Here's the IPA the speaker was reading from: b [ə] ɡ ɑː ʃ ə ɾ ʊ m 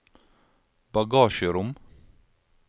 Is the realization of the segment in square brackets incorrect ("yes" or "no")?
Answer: yes